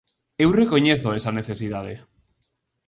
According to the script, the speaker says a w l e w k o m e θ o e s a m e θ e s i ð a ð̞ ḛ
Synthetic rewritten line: e w r e k o ɲ e θ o e s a n e θ e s i ð a ð̞ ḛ